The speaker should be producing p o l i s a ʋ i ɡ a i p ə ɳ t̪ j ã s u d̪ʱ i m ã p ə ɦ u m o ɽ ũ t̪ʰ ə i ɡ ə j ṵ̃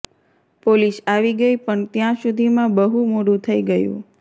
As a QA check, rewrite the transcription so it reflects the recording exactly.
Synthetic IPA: p o l i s a ʋ i ɡ ə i p ə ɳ t̪ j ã s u d̪ʱ i m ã b ə ɦ u m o ɽ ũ t̪ʰ ə i ɡ ə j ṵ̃